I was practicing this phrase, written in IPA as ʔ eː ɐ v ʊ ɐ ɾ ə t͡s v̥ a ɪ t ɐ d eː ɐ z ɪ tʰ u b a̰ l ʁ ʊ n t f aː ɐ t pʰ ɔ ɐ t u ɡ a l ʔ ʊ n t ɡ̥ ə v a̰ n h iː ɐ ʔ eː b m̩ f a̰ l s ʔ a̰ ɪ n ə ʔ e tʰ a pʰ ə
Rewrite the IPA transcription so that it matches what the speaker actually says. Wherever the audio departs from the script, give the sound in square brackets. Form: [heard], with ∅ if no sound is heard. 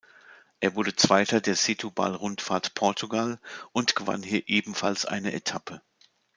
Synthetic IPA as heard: ʔ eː ɐ v ʊ ɐ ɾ ə t͡s v̥ a ɪ t ɐ d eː ɐ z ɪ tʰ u b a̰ l ʁ ʊ n t f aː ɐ t pʰ ɔ ɐ t u ɡ a l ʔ ʊ n t ɡ̥ ə v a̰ n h iː ɐ ʔ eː b m̩ f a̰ l s ʔ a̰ ɪ n ə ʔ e tʰ a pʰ ə